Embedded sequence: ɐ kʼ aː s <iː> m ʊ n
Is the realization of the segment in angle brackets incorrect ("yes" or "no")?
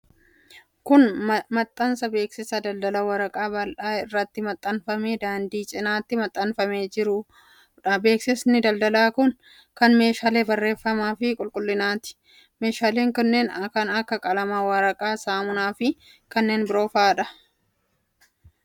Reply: yes